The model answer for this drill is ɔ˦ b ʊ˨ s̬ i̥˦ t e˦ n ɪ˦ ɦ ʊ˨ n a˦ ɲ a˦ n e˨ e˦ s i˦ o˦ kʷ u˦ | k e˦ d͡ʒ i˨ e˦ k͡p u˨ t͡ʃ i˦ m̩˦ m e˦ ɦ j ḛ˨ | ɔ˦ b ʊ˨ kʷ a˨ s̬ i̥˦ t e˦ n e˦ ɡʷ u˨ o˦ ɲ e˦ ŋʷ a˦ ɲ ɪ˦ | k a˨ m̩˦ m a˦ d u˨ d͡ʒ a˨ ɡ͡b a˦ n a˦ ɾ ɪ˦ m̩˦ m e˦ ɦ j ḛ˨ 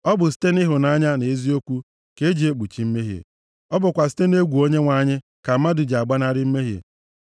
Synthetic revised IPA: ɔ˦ b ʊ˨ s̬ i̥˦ t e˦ n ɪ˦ ɦ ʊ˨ n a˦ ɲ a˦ n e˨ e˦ z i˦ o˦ kʷ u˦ | k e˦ d͡ʒ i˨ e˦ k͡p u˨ t͡ʃ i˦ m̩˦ m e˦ ɦ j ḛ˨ | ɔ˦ b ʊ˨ kʷ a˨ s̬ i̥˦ t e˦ n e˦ ɡʷ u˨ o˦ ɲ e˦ ŋʷ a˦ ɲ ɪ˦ | k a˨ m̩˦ m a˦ d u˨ d͡ʒ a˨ ɡ͡b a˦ n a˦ ɾ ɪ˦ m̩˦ m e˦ ɦ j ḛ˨

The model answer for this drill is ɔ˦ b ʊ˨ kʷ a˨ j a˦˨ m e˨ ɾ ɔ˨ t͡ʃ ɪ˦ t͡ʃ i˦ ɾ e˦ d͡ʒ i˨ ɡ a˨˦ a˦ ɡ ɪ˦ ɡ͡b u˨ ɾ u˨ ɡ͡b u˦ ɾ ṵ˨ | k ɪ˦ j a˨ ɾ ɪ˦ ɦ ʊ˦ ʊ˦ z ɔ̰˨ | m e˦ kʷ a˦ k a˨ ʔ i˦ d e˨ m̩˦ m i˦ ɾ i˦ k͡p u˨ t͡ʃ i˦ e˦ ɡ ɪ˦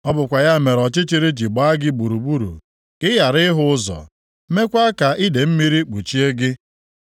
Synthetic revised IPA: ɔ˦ b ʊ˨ kʷ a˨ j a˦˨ m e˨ ɾ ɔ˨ t͡ʃ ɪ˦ t͡ʃ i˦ ɾ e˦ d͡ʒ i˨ ɡ͡b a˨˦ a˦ ɡ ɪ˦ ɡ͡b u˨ ɾ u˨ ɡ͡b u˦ ɾ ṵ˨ | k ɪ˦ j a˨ ɾ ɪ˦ ɦ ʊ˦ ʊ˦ z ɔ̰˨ | m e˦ kʷ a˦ k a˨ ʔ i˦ d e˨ m̩˦ m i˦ ɾ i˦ k͡p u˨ t͡ʃ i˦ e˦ ɡ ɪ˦

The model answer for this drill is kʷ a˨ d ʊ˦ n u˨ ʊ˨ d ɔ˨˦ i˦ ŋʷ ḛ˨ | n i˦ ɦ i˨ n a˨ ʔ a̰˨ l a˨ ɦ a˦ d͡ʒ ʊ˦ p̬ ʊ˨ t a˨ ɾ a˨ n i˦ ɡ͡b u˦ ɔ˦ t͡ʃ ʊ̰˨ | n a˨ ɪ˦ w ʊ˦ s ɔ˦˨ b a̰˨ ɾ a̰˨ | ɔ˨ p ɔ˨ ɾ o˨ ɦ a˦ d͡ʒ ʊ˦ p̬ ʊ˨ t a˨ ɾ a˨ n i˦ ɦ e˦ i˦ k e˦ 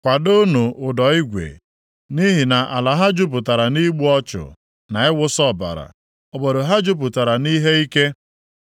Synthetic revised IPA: kʷ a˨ d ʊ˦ n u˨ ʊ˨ d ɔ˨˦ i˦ ɡʷ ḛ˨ | n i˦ ɦ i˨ n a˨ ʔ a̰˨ l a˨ ɦ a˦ d͡ʒ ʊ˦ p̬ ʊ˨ t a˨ ɾ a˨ n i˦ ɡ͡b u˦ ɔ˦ t͡ʃ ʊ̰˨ | n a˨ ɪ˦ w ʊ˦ s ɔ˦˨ b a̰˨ ɾ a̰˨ | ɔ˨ b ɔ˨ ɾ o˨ ɦ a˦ d͡ʒ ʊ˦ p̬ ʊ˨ t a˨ ɾ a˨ n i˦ ɦ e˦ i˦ k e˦

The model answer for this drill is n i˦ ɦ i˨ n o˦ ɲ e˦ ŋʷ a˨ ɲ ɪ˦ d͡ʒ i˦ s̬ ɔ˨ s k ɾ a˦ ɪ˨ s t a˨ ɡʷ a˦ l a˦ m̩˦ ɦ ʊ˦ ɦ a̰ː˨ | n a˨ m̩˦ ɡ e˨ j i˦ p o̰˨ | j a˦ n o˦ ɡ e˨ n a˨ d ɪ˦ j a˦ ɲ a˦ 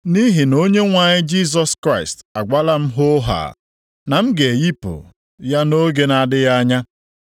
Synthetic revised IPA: n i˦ ɦ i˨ n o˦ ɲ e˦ ŋʷ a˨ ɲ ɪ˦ d͡ʒ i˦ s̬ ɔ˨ s k ɾ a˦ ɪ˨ s t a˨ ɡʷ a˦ l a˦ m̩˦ ɦ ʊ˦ ɦ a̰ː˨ | n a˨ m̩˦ ɡ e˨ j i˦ p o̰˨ | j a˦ n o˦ ɡ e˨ n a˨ d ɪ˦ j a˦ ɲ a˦

